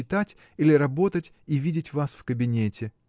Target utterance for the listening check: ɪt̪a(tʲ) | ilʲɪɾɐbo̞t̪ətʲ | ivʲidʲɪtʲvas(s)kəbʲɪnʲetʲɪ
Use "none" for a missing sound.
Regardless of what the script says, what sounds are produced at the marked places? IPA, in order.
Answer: tʲ, f

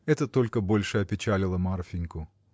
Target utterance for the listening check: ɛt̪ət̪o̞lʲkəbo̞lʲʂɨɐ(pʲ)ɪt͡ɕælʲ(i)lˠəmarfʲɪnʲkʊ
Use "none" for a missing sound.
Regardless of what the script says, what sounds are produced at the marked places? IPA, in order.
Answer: pʲ, ɪ

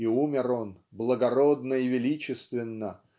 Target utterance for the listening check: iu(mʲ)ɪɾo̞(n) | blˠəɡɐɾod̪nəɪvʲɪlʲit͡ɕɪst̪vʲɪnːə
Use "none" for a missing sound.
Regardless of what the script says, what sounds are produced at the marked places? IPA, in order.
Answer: mʲ, n

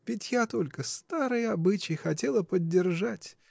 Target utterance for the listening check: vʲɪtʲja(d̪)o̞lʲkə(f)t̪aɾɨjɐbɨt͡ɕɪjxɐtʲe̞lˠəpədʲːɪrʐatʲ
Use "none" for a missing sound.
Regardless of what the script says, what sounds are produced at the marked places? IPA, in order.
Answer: t̪, s

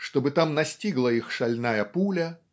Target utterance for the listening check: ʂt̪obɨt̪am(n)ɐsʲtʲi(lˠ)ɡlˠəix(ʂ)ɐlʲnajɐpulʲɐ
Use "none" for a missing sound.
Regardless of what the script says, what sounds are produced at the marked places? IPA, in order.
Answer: n, none, ʂ

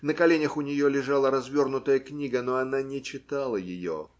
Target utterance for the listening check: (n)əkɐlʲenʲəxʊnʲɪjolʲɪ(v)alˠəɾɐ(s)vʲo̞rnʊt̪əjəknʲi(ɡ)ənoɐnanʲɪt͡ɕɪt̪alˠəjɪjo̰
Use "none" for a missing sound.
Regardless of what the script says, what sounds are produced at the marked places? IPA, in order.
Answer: n, ʐ, z, ɡ

